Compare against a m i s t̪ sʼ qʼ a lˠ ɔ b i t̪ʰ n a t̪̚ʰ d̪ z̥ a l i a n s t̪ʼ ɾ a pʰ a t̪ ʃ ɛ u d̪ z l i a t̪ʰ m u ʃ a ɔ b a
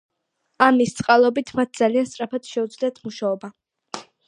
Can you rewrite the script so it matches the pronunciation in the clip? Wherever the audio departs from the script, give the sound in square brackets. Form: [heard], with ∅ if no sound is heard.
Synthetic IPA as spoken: a m i s t̪ sʼ qʼ a lˠ ɔ b i t̪ʰ [m] a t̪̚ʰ d̪ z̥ a l i a n s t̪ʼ ɾ a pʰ a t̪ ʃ ɛ u d̪ z l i a t̪ʰ m u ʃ a ɔ b a